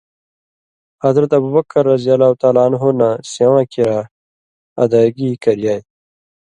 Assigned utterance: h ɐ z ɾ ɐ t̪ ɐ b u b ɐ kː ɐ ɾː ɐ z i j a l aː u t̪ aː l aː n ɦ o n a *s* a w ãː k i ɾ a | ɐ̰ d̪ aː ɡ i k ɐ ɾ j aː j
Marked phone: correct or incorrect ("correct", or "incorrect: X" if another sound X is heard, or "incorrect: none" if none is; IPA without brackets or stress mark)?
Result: correct